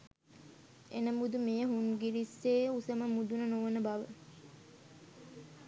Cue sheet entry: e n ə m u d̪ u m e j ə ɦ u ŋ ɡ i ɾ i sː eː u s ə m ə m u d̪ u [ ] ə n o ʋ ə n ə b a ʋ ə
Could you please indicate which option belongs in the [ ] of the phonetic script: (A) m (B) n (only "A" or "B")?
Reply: B